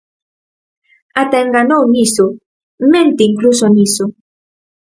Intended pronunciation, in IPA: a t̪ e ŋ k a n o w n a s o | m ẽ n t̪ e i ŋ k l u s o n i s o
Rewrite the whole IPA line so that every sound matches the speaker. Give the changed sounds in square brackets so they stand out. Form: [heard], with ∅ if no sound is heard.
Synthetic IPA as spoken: a t̪ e ŋ [ɡ] a n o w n [i] s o | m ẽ n t̪ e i ŋ k l u s o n i s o